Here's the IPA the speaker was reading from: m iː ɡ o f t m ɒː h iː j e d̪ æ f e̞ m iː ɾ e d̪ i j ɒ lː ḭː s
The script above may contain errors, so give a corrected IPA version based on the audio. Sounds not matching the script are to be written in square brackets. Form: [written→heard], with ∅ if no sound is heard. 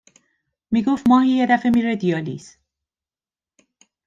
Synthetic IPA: m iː ɡ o f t m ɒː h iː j e d̪ æ f e̞ m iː ɾ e d̪ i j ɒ [lː→l] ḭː s